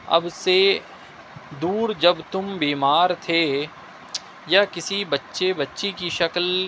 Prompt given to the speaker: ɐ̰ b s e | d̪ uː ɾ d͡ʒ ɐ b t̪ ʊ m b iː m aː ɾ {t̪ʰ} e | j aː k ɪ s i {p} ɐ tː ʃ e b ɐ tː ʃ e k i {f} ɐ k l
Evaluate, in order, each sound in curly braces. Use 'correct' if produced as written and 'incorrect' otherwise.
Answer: correct, incorrect: b, incorrect: ʃ

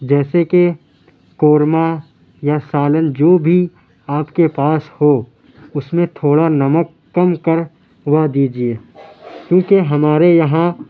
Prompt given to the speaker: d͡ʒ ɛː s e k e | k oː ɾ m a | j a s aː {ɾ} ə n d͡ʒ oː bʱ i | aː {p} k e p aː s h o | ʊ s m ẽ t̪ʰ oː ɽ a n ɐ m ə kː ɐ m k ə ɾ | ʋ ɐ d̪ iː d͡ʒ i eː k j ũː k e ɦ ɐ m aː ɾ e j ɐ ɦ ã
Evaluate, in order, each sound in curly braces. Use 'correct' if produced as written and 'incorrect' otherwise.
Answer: incorrect: l, correct

